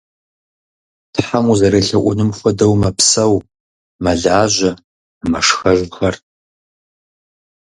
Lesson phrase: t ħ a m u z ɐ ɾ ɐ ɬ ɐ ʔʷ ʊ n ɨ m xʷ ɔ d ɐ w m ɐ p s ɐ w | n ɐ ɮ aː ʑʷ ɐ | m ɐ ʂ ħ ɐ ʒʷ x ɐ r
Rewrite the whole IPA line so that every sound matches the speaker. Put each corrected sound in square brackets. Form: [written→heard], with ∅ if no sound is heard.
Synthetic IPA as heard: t ħ a m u z ɐ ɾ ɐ ɬ ɐ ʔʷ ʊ n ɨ m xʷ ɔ d ɐ w m ɐ p s ɐ w | [n→m] ɐ ɮ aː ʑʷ ɐ | m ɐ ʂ [ħ→x] ɐ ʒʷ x ɐ r